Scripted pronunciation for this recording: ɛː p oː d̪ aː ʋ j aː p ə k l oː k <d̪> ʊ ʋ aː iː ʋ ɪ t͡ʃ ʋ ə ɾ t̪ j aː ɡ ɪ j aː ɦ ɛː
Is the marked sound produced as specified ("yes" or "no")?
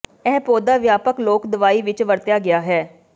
yes